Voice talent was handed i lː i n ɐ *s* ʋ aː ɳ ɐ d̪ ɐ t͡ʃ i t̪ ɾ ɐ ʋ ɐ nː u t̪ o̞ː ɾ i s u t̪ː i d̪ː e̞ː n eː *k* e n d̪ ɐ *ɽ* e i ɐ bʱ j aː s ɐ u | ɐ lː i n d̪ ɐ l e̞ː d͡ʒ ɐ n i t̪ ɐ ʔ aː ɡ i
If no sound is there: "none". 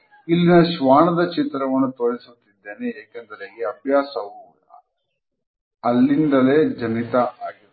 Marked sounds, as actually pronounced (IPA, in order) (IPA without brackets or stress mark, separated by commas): ʃ, k, ɾ